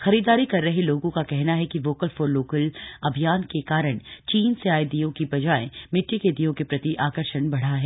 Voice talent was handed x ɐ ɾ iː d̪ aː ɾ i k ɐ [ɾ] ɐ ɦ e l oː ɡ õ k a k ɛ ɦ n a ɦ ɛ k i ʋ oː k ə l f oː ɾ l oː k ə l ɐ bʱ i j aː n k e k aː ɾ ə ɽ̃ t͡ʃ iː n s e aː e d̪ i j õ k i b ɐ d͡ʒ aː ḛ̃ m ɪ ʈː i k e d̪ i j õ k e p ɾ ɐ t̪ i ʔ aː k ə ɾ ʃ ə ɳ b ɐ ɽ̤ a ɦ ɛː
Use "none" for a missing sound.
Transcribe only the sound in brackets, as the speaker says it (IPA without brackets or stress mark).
ɾː